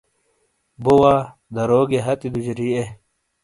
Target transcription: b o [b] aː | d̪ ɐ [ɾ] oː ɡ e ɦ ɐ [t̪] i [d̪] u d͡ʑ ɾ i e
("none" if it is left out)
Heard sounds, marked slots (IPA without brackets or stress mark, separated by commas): w, ɾ, t̪, d̪